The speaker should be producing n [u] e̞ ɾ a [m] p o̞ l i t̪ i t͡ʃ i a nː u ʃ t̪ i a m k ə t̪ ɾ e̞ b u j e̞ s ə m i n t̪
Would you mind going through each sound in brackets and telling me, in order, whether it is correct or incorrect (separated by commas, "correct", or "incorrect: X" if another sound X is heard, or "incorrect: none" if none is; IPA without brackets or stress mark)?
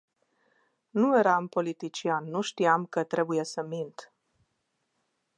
correct, correct